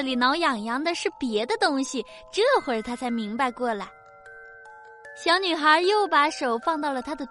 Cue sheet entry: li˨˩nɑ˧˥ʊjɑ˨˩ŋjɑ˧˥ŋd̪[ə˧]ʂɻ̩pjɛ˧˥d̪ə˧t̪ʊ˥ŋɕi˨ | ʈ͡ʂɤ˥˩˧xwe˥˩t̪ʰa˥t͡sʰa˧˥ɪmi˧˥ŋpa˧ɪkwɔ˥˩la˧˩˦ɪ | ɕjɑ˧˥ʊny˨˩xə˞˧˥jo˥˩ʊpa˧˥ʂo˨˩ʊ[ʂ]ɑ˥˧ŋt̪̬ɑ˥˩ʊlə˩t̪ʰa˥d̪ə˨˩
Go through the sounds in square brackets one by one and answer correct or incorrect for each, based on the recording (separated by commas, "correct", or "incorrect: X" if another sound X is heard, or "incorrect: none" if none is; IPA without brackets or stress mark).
correct, incorrect: f